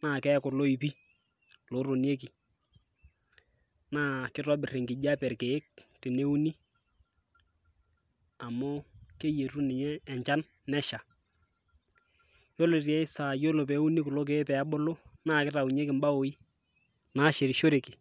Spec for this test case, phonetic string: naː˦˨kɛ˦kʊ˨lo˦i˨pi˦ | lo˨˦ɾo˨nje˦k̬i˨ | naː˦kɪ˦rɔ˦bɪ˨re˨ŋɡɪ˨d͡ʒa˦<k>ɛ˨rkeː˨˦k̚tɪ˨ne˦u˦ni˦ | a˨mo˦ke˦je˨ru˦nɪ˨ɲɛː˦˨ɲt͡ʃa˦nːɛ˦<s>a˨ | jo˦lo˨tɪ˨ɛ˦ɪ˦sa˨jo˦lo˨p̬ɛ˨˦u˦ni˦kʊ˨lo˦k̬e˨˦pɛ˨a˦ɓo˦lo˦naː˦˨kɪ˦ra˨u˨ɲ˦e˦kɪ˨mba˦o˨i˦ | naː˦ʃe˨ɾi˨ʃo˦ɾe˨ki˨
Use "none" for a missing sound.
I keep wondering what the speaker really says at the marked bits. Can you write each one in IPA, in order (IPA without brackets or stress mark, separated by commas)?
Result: p, ʃ